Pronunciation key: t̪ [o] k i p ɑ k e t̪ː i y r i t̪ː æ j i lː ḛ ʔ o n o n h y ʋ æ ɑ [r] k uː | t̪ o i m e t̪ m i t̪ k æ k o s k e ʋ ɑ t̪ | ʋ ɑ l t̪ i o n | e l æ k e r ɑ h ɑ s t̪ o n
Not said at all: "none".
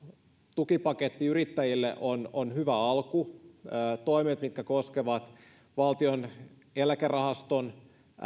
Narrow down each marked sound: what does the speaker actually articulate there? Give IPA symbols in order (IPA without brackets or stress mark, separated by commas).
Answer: u, l